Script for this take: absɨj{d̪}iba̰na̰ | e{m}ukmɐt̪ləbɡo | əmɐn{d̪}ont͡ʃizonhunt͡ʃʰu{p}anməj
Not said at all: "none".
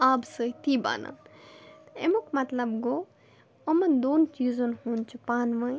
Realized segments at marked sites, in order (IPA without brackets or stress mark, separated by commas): t̪, m, d̪, p